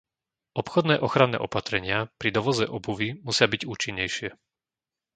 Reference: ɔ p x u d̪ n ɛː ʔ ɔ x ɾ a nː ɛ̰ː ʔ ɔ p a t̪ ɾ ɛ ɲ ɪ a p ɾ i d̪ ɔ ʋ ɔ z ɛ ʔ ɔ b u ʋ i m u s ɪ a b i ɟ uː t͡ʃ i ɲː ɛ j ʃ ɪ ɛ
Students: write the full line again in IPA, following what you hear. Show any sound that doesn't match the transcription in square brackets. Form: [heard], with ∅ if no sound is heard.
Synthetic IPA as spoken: ɔ p x [ɔ] d̪ n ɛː ʔ ɔ x ɾ a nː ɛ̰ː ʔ ɔ p a t̪ ɾ ɛ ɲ ɪ a p ɾ i d̪ ɔ ʋ ɔ z ɛ ʔ ɔ b u ʋ i m u s ɪ a b i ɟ uː t͡ʃ i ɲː ɛ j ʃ ɪ ɛ